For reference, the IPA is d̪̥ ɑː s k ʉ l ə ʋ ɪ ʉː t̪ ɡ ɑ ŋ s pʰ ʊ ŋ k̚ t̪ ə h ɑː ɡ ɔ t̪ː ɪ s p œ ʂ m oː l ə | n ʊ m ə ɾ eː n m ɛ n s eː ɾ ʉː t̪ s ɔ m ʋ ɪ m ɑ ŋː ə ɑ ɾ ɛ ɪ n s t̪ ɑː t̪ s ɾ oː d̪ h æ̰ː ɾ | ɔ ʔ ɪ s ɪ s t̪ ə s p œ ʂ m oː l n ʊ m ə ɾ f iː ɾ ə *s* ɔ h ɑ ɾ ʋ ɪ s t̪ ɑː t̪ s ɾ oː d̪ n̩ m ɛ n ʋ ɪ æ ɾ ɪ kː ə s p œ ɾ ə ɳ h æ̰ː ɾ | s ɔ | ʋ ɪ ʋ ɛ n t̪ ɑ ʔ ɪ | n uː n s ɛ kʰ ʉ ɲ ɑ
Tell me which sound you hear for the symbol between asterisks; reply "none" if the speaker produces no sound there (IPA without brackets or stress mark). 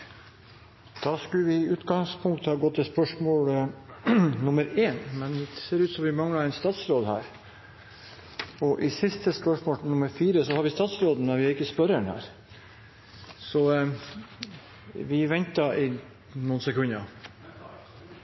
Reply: s